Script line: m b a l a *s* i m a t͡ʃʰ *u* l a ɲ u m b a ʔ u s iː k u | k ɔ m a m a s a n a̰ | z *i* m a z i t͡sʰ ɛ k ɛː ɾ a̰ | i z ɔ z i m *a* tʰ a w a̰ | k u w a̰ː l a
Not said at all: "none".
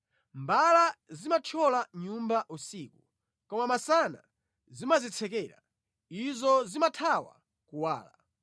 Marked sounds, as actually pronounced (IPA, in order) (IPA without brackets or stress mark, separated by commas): z, ɔ, i, a